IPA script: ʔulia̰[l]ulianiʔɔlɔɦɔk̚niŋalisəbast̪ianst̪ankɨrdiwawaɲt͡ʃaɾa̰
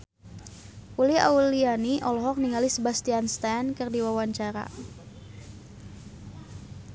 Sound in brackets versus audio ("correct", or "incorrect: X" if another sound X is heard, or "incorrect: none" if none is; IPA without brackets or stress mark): incorrect: none